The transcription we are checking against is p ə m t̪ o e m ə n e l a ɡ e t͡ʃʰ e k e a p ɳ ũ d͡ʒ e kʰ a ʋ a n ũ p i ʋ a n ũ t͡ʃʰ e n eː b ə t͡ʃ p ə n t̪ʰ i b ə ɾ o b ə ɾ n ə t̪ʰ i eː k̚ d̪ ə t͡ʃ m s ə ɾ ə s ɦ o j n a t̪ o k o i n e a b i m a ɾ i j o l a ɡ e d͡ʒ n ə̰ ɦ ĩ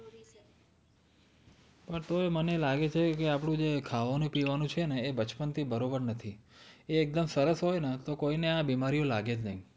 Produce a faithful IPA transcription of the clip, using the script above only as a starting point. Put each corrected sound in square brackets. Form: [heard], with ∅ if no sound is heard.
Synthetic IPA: p ə [ɳ] t̪ o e m ə n e l a ɡ e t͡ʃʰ e k e a p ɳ ũ d͡ʒ e kʰ a ʋ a n ũ p i ʋ a n ũ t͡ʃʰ e n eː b ə t͡ʃ p ə n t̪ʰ i b ə ɾ o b ə ɾ n ə t̪ʰ i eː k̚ d̪ ə [∅] m s ə ɾ ə s ɦ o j n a t̪ o k o i n e a b i m a ɾ i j o l a ɡ e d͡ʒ n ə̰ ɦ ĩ